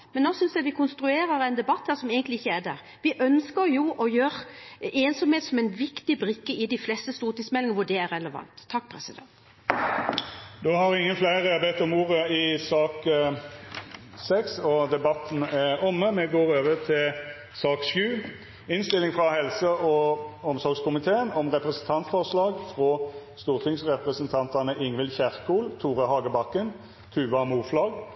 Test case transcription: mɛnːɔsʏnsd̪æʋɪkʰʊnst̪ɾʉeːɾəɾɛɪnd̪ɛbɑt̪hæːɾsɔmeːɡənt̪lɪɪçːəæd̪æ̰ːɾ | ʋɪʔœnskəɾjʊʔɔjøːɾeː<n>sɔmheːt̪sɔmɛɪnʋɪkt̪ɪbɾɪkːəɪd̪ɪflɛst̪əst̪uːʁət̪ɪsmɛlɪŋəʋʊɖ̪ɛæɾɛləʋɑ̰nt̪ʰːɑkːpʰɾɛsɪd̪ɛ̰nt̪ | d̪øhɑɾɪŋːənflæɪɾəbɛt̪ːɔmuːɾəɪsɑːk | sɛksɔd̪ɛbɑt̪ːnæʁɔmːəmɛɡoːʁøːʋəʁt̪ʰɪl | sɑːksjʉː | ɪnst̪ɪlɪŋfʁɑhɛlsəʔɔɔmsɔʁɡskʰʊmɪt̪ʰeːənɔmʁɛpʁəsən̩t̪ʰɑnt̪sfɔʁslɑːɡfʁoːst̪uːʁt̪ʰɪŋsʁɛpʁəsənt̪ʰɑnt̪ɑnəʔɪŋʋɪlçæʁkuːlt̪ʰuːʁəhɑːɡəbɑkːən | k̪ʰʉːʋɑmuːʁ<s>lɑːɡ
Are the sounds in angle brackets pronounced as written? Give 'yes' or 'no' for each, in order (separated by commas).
yes, no